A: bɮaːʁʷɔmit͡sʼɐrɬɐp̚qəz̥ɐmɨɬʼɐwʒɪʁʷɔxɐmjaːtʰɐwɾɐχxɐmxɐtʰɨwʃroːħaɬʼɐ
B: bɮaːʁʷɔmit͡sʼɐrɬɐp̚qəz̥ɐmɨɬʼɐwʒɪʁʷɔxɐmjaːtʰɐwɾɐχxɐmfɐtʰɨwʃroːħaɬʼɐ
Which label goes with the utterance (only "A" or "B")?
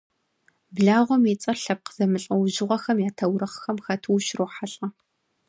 A